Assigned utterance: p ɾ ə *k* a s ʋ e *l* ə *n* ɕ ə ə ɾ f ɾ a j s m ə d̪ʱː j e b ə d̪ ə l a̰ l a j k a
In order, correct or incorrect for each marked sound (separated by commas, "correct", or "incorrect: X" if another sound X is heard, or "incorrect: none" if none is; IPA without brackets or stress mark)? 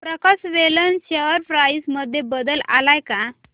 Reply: correct, correct, correct